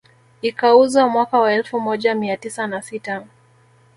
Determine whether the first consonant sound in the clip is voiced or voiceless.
voiceless